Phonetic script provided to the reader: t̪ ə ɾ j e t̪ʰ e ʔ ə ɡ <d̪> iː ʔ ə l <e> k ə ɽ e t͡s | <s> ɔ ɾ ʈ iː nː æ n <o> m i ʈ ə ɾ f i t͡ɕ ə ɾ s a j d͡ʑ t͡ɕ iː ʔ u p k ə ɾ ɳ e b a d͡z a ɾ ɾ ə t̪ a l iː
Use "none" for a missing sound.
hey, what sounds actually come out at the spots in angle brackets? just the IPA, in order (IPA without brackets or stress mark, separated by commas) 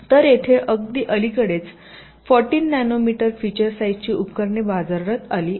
d̪, i, f, o